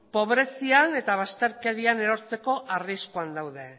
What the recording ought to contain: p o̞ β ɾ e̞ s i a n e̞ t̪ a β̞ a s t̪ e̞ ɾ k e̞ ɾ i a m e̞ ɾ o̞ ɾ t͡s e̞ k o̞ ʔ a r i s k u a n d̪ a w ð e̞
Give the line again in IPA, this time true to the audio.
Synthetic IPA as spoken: p o̞ β ɾ e̞ s i a n e̞ t̪ a β̞ a s t̪ e̞ ɾ k e̞ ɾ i a n e̞ ɾ o̞ ɾ t͡s e̞ k o̞ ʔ a r i s k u a n d̪ a w ð e̞